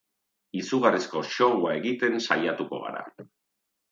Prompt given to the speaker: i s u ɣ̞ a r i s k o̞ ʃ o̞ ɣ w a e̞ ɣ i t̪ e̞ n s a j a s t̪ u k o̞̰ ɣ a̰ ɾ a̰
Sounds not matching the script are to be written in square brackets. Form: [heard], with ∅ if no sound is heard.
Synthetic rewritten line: i s u ɣ̞ a r i s k o̞ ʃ o̞ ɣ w a e̞ ɣ i t̪ e̞ n s a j a [∅] t̪ u k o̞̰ ɣ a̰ ɾ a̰